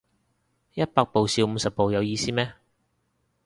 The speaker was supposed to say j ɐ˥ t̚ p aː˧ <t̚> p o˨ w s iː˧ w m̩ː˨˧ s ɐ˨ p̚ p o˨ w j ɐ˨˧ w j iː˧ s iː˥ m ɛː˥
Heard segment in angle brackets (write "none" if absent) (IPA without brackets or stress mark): k̚